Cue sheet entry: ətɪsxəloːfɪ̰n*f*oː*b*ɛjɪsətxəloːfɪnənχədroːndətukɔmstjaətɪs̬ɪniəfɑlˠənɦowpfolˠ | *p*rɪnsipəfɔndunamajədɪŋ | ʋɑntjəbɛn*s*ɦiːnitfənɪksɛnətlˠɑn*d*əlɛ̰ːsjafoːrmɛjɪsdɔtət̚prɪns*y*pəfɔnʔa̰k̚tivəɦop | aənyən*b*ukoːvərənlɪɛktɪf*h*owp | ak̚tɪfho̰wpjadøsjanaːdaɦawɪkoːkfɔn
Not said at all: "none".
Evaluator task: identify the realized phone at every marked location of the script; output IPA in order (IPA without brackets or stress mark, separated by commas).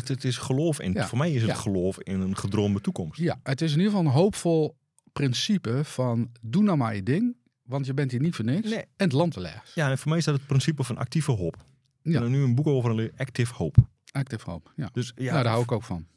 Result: f, m, p, t, t, i, b, h